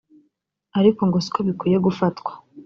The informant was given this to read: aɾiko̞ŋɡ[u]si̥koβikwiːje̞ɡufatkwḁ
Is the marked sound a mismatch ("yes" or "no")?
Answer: yes